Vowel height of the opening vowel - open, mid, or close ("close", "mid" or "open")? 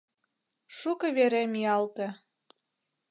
close